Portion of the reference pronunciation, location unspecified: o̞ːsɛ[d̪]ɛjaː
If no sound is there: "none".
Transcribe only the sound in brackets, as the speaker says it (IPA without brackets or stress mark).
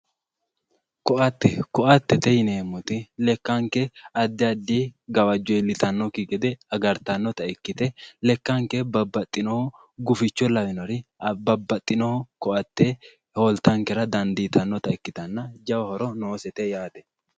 t̪